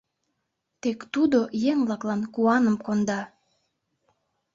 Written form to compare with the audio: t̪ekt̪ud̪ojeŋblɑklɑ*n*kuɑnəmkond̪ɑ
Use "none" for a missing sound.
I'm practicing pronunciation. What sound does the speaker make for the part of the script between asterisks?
n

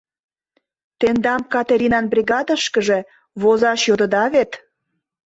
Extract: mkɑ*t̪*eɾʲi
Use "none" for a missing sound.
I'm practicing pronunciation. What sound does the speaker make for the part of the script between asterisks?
t̪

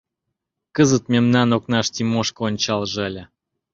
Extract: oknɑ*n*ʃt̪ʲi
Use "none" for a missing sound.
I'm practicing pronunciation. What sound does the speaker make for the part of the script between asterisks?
none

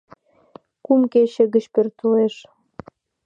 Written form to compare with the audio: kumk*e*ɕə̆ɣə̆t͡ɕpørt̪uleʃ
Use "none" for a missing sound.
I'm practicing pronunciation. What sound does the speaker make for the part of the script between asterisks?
e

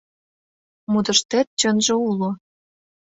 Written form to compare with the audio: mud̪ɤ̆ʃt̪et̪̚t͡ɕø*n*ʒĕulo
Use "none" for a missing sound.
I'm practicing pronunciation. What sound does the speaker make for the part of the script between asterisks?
n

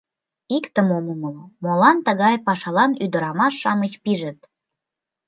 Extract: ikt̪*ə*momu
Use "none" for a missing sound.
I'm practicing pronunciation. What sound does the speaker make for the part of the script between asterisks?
ə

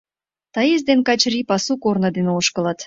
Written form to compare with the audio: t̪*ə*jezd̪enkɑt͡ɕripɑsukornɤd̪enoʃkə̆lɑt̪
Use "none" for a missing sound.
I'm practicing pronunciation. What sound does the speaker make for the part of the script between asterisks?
ɑ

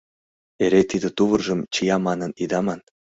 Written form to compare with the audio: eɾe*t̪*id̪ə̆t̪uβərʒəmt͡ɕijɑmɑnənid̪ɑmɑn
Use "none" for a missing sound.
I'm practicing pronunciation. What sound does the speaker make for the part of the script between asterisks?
t̪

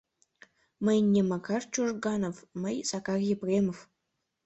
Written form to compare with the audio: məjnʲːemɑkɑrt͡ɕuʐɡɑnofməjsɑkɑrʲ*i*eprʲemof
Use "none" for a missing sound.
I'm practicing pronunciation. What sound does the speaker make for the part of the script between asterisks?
j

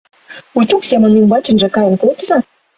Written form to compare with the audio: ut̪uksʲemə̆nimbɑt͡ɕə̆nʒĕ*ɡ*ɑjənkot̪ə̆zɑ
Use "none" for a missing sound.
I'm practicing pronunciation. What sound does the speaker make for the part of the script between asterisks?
k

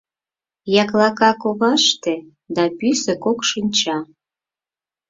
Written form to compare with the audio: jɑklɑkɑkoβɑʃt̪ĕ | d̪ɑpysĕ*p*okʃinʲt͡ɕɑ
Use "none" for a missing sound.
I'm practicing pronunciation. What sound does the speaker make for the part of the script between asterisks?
k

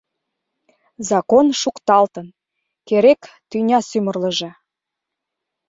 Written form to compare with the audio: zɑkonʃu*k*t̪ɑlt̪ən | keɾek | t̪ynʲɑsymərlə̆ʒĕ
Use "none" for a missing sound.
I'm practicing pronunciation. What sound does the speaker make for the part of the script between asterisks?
k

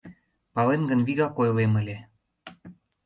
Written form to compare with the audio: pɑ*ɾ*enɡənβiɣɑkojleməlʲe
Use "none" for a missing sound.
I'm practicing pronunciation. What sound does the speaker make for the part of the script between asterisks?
l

